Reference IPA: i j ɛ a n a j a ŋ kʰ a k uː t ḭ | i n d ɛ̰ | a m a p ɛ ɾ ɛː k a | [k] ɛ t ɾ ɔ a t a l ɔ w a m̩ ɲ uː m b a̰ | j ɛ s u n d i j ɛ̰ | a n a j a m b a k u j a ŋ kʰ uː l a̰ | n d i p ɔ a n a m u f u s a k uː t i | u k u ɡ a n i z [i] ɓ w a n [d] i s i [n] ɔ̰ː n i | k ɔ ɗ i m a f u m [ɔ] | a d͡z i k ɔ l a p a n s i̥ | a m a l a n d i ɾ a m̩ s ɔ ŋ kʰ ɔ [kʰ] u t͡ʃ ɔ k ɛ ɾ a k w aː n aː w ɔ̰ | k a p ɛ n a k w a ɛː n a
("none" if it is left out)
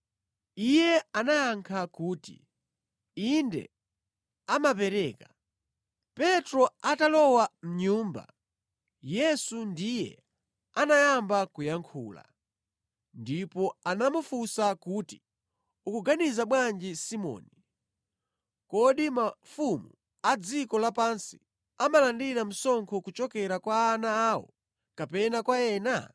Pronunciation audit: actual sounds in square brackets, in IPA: p, a, d͡ʒ, m, u, k

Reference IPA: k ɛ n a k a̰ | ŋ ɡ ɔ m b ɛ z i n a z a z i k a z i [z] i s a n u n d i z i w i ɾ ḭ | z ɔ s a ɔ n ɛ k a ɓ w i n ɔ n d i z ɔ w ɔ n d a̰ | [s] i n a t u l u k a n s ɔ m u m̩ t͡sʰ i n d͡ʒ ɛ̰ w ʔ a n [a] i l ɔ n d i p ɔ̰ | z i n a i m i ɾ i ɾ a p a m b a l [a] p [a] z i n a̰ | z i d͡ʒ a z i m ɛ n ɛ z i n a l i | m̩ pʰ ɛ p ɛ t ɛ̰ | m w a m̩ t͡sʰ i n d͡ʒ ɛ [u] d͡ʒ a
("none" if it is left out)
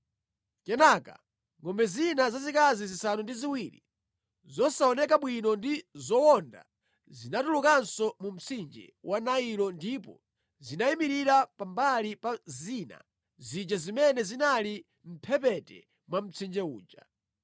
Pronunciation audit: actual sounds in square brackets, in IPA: z, z, a, i, a, uː

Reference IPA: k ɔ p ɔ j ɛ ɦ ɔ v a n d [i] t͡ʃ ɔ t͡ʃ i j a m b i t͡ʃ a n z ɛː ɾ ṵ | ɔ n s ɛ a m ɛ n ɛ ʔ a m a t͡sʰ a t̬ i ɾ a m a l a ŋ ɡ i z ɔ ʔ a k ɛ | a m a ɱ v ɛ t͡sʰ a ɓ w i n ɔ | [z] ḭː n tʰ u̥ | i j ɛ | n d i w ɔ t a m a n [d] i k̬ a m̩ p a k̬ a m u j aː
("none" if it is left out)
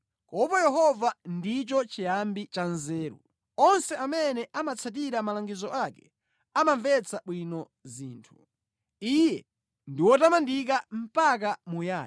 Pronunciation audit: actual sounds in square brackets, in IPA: i, z, d

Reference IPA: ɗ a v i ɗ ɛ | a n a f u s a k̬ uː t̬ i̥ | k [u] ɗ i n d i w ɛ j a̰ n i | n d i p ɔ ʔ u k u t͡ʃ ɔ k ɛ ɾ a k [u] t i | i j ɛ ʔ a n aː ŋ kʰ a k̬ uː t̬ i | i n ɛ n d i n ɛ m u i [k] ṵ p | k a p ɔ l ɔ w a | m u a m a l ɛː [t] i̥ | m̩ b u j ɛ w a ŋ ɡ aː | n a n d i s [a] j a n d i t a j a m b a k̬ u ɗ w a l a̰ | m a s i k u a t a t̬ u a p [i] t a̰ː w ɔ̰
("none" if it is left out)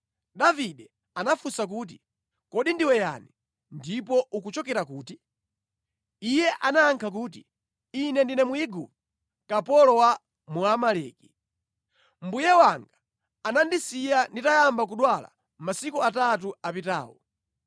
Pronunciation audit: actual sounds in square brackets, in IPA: ɔ, uː, ɡ, k, i, i

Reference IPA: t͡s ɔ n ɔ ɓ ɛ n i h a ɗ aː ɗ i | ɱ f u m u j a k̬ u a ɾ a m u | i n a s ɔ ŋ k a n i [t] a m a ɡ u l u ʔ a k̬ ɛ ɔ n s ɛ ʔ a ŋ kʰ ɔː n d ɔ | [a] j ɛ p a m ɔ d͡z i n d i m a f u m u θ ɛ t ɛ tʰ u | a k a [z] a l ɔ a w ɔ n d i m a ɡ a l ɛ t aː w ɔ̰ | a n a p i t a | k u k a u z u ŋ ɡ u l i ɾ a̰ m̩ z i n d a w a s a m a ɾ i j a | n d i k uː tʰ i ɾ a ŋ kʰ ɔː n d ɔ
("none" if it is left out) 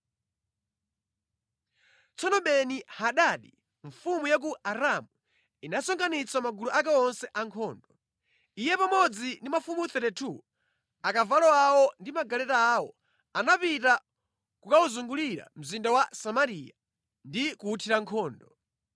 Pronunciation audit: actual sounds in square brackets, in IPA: t͡s, i, v

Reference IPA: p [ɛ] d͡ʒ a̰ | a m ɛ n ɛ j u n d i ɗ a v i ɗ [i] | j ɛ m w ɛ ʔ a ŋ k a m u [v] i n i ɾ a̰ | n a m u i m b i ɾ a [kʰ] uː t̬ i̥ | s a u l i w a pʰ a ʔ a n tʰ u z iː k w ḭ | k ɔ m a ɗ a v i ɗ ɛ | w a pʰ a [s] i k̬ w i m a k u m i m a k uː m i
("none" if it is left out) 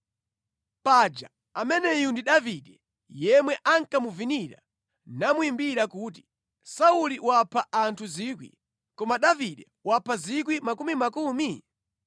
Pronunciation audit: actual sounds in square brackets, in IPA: a, ɛ, v, k, z

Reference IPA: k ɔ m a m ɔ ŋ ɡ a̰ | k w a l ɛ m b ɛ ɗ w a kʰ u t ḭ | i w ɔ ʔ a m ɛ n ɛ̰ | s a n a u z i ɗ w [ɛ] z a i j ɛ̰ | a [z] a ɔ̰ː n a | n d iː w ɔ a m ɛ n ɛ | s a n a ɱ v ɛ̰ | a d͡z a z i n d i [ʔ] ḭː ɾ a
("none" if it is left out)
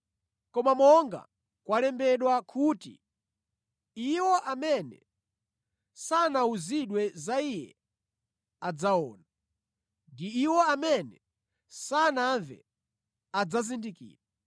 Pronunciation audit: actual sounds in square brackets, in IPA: ɛ, d͡z, k

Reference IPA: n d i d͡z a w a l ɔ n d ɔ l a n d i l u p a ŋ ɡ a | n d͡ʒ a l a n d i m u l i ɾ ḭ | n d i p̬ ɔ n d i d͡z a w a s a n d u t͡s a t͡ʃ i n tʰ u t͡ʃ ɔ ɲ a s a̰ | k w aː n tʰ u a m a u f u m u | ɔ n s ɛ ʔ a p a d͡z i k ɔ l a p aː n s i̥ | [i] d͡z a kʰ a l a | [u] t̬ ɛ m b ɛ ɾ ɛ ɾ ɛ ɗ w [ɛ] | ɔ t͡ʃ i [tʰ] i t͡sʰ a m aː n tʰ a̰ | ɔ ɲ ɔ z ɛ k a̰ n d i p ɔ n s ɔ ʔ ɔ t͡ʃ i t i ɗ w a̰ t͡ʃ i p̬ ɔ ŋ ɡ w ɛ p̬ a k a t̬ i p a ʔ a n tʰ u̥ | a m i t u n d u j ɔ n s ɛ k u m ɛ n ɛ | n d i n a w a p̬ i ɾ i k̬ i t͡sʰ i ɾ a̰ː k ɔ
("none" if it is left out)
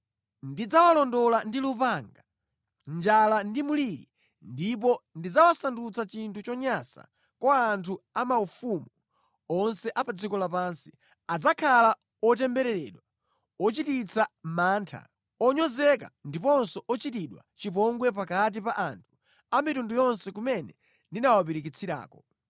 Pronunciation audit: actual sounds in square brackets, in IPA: a, ɔ, a, t

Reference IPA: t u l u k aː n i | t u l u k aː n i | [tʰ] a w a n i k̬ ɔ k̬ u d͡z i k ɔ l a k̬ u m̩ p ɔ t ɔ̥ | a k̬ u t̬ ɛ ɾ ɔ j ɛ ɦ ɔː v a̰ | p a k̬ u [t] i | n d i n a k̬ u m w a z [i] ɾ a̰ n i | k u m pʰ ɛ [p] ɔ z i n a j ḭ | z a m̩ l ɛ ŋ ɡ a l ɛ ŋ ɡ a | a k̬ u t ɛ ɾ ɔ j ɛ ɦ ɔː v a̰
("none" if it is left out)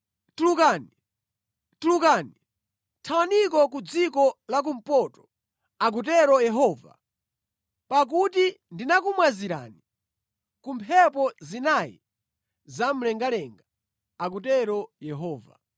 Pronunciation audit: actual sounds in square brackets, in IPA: tʰ, t, i, p

